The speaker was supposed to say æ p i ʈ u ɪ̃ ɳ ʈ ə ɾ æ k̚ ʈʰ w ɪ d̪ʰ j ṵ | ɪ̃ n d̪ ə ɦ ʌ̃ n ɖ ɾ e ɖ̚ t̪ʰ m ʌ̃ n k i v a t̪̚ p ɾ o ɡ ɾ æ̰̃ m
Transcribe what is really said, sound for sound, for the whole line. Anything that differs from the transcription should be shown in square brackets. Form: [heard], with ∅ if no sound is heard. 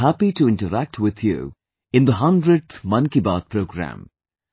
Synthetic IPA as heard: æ p i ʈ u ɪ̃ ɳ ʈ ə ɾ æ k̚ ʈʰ w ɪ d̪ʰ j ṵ | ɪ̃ n d̪ ə ɦ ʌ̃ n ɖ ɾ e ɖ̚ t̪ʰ m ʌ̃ n k i [b] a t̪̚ p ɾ o ɡ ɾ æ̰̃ m